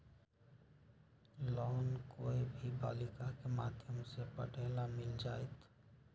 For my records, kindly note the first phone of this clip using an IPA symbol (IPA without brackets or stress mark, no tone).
l